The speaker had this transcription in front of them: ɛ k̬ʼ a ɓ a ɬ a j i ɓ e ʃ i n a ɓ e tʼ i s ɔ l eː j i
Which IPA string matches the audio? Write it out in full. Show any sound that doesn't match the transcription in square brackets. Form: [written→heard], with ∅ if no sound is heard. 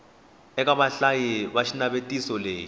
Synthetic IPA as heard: ɛ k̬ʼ a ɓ a ɬ a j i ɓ [e→a] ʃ i n a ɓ e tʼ i s ɔ l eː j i